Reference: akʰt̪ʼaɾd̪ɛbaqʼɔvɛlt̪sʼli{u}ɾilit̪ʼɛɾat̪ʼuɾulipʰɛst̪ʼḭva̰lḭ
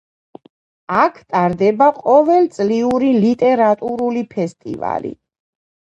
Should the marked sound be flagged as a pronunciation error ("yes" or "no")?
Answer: no